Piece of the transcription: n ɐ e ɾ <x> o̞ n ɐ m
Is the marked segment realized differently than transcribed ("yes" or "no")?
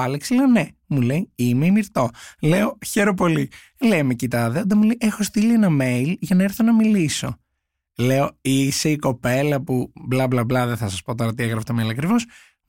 yes